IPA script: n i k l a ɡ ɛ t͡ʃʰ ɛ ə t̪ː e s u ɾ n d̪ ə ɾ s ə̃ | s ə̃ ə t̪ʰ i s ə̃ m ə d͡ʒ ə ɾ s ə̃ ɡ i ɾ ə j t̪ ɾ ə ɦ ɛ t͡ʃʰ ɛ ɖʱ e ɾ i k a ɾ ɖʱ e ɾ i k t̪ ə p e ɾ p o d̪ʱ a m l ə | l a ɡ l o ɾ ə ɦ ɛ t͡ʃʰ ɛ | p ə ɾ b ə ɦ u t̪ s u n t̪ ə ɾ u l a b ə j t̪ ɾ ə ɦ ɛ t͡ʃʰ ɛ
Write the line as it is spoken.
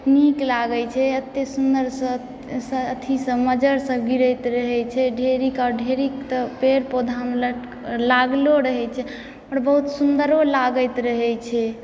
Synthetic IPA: n i k l a ɡ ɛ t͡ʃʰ ɛ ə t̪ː e s u n d̪ ə ɾ s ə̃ | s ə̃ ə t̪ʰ i s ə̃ m ə d͡ʒ ə ɾ s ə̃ ɡ i ɾ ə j t̪ ɾ ə ɦ ɛ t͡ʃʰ ɛ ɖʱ e ɾ i k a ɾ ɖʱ e ɾ i k t̪ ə p e ɾ p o d̪ʱ a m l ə | l a ɡ l o ɾ ə ɦ ɛ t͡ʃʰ ɛ | p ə ɾ b ə ɦ u t̪ s u n d̪ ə ɾ o l a ɡ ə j t̪ ɾ ə ɦ ɛ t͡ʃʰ ɛ

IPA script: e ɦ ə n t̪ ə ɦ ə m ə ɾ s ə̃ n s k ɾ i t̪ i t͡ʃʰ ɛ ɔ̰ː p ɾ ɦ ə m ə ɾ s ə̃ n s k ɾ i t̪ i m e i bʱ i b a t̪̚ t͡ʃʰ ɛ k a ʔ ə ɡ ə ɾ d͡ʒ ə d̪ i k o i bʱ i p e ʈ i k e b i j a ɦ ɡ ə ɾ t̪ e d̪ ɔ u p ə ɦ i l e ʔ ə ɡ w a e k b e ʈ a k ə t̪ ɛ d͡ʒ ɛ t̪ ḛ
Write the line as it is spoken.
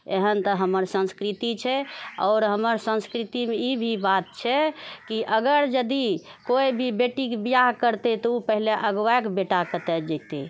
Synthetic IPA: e ɦ ə n t̪ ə ɦ ə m ə ɾ s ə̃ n s k ɾ i t̪ i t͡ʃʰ ɛ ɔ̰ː ɾ ɦ ə m ə ɾ s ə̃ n s k ɾ i t̪ i m e i bʱ i b a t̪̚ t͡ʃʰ ɛ k i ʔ ə ɡ ə ɾ d͡ʒ ə d̪ i k o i bʱ i b e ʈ i k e b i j a ɦ k ə ɾ t̪ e t̪ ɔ u p ə ɦ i l e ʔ ə ɡ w a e k b e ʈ a k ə t̪ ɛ d͡ʒ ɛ t̪ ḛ

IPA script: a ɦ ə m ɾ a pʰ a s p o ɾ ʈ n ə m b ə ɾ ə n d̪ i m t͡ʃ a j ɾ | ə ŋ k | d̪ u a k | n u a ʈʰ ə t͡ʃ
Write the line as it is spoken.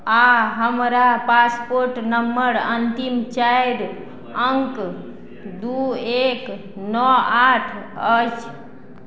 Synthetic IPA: a ɦ ə m ɾ a p a s p o ɾ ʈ n ə m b ə ɾ ə n t̪ i m t͡ʃ a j ɾ | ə ŋ k | d̪ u e k | n ɔ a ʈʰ ə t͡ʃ

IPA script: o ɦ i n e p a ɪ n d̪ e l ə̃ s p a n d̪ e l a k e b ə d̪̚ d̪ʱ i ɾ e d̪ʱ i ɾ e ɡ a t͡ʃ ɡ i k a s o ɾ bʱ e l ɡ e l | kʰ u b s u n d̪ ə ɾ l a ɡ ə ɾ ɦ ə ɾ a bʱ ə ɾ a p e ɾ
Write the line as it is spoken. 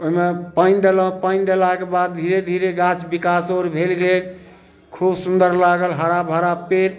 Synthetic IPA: o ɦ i m e p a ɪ n d̪ e l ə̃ p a n d̪ e l a k e b a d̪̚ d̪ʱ i ɾ e d̪ʱ i ɾ e ɡ a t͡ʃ b i k a s o ɾ bʱ e l ɡ e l | kʰ u b s u n d̪ ə ɾ l a ɡ ə l ɦ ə ɾ a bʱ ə ɾ a p e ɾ

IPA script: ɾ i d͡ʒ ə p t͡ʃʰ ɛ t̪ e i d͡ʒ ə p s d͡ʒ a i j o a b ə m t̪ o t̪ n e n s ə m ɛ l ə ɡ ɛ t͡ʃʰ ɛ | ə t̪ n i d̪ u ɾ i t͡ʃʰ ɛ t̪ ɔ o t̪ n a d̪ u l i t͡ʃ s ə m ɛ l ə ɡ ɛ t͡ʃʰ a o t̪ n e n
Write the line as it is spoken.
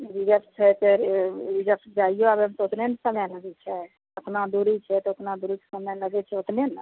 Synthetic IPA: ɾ i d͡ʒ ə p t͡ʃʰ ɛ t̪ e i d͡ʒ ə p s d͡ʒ a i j o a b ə m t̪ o t̪ n e n s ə m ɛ l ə ɡ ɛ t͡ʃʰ ɛ | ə t̪ n a d̪ u ɾ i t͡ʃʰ ɛ t̪ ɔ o t̪ n a d̪ u ɾ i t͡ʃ s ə m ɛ l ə ɡ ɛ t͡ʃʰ ɛ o t̪ n e n

